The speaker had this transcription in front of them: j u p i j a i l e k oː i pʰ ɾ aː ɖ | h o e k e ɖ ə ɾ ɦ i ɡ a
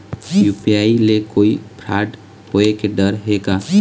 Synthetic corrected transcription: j u p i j a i l e k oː i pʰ ɾ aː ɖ | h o e k e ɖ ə ɾ ɦ e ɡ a